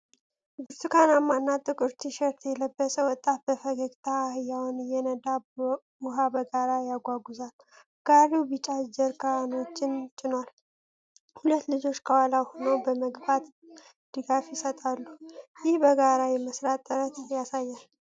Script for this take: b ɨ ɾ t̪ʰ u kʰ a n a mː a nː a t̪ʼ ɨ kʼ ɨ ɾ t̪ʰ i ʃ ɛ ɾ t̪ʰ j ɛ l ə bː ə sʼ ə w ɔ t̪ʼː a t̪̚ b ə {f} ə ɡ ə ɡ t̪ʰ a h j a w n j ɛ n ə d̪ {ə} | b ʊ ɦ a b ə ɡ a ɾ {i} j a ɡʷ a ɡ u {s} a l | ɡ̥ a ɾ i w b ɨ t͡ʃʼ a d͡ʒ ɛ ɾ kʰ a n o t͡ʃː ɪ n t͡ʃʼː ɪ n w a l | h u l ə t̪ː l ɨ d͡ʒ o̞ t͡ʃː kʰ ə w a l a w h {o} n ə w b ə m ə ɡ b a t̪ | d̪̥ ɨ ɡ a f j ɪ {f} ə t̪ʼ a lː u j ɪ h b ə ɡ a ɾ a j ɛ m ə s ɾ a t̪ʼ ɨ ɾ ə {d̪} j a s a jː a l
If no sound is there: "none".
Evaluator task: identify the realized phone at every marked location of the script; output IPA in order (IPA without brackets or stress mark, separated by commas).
f, a, a, z, o, s, t̪